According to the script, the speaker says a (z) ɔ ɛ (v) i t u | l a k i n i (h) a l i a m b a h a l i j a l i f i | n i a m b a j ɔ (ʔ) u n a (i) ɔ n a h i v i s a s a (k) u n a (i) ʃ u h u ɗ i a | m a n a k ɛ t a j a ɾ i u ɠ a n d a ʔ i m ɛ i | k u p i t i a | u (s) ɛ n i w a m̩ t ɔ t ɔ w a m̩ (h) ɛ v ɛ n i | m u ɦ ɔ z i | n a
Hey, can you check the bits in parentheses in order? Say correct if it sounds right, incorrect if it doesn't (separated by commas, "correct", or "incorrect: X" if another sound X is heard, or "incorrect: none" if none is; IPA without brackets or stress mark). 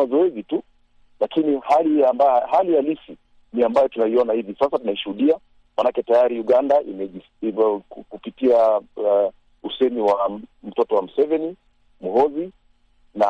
correct, incorrect: z, correct, incorrect: t, correct, incorrect: t, correct, correct, incorrect: s